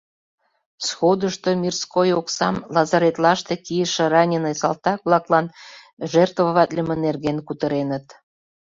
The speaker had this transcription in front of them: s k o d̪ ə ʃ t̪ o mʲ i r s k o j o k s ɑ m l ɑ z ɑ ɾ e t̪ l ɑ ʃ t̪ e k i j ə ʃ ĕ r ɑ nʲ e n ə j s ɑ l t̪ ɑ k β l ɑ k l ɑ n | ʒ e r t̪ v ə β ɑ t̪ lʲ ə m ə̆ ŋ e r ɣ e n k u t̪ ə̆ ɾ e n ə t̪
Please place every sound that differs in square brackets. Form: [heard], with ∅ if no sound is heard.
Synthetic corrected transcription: s [x] o d̪ ə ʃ t̪ o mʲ i r s k o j o k s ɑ m l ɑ z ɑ ɾ e t̪ l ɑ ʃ t̪ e k i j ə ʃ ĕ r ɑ nʲ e n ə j s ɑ l t̪ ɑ k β l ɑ k l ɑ n | ʒ e r t̪ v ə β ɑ t̪ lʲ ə m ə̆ [n] e r ɣ e n k u t̪ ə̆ ɾ e n ə t̪